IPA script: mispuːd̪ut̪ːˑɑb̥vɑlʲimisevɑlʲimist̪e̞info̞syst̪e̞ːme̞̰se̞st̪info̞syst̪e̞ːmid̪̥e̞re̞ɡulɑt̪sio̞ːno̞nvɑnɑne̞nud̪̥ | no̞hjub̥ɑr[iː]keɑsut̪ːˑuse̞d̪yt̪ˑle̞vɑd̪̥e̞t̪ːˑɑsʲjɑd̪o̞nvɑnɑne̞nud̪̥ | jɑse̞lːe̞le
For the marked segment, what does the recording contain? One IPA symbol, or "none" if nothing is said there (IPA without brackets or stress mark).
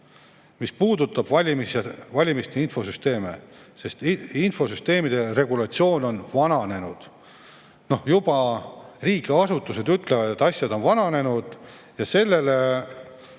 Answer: iː